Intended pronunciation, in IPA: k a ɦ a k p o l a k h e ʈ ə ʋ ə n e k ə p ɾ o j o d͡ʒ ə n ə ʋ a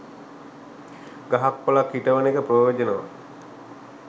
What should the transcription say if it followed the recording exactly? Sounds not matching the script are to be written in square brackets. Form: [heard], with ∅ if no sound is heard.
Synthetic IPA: [ɡ] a ɦ a k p o l a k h [i] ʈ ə ʋ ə n e k ə p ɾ o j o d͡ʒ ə n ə ʋ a